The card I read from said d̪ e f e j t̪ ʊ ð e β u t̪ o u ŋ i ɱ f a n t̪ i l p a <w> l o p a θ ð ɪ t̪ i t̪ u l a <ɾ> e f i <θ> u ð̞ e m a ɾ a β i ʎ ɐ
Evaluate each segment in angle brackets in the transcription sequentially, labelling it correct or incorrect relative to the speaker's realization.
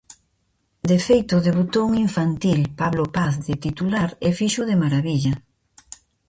incorrect: β, correct, incorrect: ʃ

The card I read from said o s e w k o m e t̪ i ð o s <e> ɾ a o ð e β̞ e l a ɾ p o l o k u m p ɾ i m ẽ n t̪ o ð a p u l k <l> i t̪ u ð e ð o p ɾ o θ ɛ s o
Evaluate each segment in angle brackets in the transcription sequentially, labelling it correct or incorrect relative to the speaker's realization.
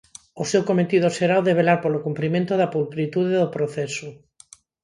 correct, incorrect: ɾ

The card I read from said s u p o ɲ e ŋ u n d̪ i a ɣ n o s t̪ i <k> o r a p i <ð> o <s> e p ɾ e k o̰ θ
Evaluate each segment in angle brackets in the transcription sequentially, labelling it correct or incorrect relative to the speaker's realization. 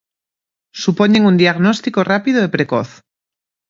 correct, correct, incorrect: none

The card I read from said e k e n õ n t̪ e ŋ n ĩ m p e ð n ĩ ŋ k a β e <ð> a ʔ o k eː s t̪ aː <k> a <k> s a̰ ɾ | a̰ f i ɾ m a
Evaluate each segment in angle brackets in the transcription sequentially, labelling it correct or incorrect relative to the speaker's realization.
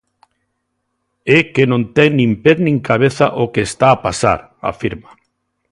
incorrect: θ, incorrect: p, incorrect: none

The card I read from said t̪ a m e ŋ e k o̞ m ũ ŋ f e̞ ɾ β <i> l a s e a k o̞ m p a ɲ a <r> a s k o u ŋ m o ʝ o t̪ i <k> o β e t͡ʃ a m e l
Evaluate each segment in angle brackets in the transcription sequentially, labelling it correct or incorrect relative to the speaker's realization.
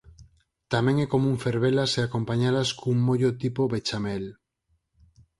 incorrect: e, incorrect: l, incorrect: p

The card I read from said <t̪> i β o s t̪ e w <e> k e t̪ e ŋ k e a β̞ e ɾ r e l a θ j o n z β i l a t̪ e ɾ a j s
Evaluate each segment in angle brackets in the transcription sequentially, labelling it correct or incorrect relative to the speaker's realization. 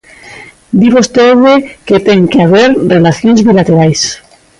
incorrect: d̪, correct

